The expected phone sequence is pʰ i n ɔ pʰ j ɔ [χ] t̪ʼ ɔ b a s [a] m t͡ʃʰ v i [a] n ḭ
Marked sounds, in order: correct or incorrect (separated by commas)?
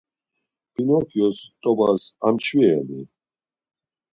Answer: incorrect, correct, incorrect